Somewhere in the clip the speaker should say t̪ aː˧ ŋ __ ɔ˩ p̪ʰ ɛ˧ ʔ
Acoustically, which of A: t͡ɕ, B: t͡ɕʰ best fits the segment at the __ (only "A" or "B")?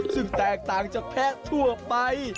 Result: A